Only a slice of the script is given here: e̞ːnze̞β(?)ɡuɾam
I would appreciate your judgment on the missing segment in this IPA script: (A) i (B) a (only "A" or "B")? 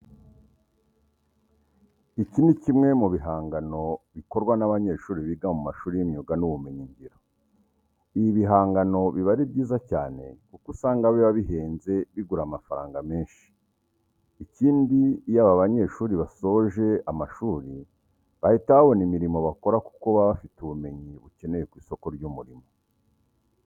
A